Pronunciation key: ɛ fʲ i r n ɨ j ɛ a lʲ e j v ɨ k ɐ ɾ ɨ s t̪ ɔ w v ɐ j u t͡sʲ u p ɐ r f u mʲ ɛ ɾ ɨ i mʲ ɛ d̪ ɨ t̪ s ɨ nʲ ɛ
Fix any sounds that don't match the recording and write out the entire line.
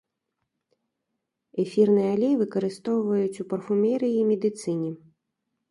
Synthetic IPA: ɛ fʲ i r n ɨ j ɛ a lʲ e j v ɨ k ɐ ɾ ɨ s t̪ ɔ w v ɐ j u t͡sʲ u p ɐ r f u mʲ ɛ ɾ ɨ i mʲ ɛ d̪ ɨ t̪ s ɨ nʲ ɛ